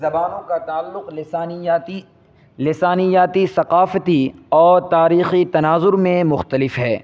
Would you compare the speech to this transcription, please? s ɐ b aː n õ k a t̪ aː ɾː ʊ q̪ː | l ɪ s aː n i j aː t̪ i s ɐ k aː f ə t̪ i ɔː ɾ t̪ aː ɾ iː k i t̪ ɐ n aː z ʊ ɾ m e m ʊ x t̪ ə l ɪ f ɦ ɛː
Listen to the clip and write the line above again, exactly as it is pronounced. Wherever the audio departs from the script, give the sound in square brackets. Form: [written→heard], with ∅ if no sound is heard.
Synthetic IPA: [s→z] ɐ b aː n õ k a t̪ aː [ɾː→lː] ʊ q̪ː | l ɪ s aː n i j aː t̪ i s ɐ [k→q] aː f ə t̪ i ɔː ɾ t̪ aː ɾ iː [k→x] i t̪ ɐ n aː z ʊ ɾ m [e→ẽ] m ʊ x t̪ ə l ɪ f ɦ ɛː